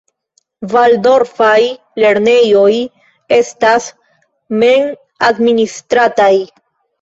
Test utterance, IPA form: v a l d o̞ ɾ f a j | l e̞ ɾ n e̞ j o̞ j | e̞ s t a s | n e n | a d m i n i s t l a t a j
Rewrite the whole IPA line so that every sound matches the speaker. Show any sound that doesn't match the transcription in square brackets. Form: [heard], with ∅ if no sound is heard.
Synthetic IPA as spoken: v a l d o̞ ɾ f a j | l e̞ ɾ n e̞ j o̞ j | e̞ s t a s | [m] e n | a d m i n i s t [ɾ] a t a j